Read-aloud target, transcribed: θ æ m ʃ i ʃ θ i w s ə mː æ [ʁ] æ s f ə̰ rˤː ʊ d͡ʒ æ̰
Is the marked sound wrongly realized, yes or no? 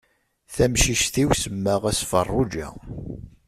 no